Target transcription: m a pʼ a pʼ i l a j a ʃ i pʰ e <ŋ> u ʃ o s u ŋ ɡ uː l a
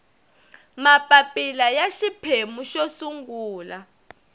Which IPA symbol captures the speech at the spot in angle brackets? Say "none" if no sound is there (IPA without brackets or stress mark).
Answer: m